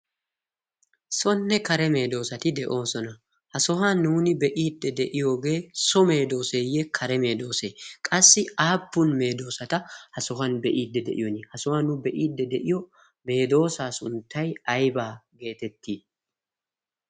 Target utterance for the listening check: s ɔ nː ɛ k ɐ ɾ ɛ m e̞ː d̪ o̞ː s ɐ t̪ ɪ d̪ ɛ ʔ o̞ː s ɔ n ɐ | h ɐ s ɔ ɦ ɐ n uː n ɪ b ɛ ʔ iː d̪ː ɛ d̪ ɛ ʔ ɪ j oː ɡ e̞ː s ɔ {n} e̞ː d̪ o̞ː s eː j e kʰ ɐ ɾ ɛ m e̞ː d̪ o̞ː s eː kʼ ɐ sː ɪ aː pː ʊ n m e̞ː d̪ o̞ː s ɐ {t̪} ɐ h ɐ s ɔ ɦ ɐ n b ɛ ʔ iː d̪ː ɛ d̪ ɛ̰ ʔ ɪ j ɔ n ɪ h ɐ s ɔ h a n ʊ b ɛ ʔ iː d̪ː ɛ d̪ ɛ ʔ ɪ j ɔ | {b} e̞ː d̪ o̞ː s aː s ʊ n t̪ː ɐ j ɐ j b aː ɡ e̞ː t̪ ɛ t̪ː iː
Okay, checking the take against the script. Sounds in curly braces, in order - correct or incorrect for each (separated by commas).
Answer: incorrect, correct, incorrect